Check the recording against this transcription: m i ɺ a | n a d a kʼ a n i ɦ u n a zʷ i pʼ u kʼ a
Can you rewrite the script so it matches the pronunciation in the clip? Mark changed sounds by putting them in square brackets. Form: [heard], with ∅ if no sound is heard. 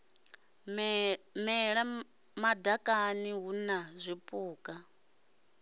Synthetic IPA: m [ɛ] ɺ a | [m] a d a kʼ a n i ɦ u n a zʷ i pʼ [uː] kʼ a

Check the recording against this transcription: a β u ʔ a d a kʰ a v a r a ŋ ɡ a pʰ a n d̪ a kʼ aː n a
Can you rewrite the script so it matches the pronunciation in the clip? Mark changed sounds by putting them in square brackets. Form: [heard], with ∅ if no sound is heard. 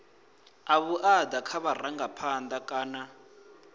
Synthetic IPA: a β u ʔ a d a kʰ a [β] a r a ŋ ɡ a pʰ a n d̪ a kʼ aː n a

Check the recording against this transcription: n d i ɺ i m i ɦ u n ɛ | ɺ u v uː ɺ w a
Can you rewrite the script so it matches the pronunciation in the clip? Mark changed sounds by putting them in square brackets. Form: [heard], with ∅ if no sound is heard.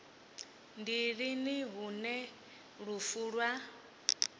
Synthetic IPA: n d i ɺ i [n] i ɦ u n ɛ | ɺ u [f] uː ɺ w a

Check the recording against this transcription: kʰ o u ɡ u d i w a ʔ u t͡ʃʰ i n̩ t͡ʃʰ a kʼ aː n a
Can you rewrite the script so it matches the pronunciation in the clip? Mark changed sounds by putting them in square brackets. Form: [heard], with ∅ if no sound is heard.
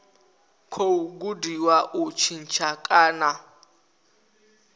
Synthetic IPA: kʰ o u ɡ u d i w a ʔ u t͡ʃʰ i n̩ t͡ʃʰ a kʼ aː n a

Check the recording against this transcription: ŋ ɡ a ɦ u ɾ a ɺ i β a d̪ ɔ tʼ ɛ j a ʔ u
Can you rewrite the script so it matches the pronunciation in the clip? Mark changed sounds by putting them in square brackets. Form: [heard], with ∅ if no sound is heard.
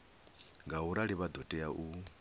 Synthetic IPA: ŋ ɡ a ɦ u ɾ a ɺ i β a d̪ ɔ tʼ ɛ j a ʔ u

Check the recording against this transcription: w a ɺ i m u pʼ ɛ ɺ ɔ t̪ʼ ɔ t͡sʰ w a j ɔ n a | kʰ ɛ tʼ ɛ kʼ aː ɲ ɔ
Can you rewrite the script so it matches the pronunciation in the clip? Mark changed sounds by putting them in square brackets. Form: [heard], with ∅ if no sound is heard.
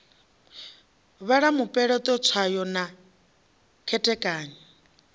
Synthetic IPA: [β] a ɺ [a] m u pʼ ɛ ɺ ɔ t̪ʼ ɔ t͡sʰ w a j ɔ n a | kʰ ɛ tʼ ɛ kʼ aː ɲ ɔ

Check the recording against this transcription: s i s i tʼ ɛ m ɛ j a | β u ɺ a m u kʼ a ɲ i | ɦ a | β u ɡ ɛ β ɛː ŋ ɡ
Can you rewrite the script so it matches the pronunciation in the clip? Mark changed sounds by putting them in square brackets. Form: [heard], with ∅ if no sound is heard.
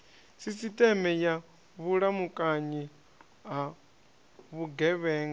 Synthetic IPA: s i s i tʼ ɛ m ɛ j a | β u ɺ a m u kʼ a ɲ i | ɦ a | β u ɡ ɛ β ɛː ŋ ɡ

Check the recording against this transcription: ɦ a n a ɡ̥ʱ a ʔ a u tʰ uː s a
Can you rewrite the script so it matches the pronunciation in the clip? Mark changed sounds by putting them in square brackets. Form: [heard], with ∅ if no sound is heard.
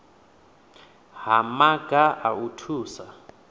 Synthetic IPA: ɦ a [m] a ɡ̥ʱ a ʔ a u tʰ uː s a

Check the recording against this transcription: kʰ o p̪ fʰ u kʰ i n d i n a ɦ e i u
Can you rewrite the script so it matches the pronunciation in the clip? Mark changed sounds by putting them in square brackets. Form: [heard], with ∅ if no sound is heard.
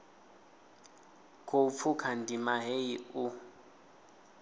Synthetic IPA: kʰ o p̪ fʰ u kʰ [a] n d i [m] a ɦ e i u

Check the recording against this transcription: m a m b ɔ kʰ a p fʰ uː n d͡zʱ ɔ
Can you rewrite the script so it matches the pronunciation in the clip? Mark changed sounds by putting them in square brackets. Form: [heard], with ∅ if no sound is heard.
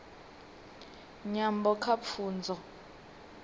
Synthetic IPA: [ɲ] a m b ɔ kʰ a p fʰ uː n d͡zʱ ɔ

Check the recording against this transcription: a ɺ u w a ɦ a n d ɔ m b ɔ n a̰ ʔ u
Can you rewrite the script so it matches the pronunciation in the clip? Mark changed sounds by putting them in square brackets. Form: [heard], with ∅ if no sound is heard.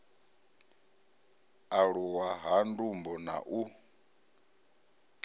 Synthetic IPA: a ɺ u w a ɦ a n d [u] m b ɔ n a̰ ʔ u

